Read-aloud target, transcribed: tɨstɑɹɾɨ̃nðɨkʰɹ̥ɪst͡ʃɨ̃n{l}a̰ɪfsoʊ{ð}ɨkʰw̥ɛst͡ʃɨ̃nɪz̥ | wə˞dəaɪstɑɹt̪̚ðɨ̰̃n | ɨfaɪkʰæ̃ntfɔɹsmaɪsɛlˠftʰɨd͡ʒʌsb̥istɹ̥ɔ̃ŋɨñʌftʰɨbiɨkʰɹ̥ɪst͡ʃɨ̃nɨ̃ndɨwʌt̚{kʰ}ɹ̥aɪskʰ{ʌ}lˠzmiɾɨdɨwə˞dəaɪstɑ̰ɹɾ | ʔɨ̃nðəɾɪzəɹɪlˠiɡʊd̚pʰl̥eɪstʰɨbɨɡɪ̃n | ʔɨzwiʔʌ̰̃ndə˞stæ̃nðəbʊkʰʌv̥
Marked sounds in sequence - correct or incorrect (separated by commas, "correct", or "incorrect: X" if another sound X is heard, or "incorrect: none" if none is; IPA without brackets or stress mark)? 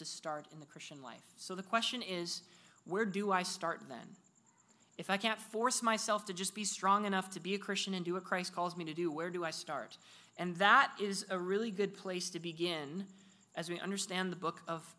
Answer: correct, correct, correct, incorrect: ɔ